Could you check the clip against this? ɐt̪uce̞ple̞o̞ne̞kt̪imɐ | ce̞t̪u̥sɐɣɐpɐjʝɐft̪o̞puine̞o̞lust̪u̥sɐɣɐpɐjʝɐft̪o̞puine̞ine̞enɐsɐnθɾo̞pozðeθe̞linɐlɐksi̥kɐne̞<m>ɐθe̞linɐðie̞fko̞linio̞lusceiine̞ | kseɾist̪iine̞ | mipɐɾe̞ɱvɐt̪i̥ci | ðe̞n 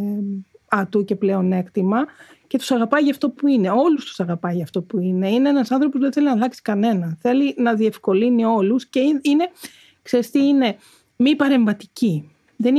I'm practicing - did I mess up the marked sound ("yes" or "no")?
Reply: yes